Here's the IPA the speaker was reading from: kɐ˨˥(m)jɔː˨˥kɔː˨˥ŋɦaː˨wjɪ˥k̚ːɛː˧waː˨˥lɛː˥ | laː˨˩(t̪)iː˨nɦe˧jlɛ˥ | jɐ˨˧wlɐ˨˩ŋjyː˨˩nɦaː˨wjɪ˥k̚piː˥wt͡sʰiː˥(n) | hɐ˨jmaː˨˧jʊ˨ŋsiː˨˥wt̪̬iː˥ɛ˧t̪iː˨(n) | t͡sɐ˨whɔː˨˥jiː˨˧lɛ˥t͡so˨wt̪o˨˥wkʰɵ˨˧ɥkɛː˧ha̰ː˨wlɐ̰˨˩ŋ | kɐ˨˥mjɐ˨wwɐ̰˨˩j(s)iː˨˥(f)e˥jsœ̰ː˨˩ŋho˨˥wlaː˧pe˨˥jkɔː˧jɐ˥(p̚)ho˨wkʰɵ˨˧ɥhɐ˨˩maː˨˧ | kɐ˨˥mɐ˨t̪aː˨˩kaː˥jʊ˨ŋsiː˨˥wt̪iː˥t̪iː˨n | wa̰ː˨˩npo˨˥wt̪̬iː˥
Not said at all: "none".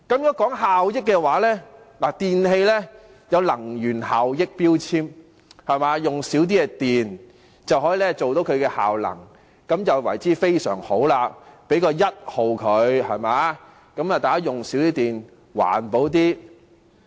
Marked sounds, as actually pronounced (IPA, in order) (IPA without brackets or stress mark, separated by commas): m, t̪, m, n, t͡s, f, t̚